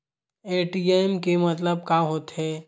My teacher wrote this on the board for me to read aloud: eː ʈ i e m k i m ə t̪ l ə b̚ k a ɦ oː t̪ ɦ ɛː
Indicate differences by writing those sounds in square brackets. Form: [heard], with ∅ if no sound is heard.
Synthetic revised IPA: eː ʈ i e m k [e] m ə t̪ l ə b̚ k a ɦ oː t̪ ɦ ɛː